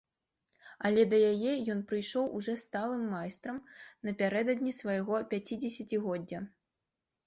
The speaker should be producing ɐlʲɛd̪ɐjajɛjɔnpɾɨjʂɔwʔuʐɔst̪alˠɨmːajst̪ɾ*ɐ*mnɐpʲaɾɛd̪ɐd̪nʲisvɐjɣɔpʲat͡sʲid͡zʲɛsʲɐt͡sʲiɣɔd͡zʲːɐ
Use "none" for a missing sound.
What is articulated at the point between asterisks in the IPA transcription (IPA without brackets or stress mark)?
ɐ